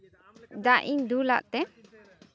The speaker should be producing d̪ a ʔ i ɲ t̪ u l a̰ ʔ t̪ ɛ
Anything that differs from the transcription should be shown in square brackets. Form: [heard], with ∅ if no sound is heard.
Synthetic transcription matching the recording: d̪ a ʔ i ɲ [d̪] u l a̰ ʔ t̪ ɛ